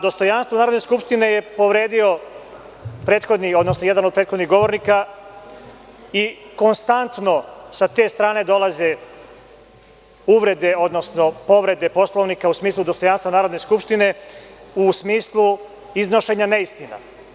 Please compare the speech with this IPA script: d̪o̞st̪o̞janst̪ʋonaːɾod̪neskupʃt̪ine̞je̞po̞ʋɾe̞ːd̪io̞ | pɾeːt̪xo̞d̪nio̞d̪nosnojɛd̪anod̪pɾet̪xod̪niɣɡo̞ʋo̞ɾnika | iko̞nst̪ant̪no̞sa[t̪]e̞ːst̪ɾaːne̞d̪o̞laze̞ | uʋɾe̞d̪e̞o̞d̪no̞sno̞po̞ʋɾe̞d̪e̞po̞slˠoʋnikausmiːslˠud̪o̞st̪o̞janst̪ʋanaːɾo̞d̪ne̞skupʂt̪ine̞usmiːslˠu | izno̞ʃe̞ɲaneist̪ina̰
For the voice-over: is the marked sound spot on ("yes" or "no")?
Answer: yes